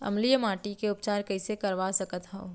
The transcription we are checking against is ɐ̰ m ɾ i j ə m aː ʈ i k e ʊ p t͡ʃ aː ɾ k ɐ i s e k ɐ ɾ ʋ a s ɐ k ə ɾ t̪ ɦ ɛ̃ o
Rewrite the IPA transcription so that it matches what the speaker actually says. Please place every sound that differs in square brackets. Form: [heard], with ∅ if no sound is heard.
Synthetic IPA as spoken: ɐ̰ m [l] i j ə m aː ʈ i k e ʊ p t͡ʃ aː ɾ k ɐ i s e k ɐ ɾ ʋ a s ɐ k ə [∅] t̪ ɦ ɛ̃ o